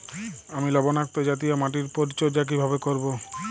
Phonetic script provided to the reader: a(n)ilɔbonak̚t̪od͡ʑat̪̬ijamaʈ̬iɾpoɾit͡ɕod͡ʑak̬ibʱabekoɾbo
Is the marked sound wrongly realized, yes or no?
yes